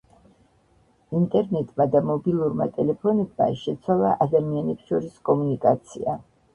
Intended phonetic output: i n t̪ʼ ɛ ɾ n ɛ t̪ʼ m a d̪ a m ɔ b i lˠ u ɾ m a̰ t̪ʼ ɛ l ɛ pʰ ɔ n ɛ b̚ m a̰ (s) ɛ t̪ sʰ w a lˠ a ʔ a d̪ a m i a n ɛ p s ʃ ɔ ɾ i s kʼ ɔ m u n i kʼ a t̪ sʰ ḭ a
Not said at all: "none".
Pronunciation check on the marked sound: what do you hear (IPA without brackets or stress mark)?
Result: ʃ